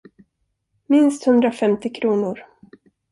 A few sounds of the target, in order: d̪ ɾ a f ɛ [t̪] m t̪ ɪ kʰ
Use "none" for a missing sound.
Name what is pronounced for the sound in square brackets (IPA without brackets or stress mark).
none